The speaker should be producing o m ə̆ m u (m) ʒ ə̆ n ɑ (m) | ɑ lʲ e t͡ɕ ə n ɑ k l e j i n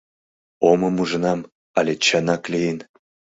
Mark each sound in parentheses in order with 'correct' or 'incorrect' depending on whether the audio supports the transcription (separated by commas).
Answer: incorrect, correct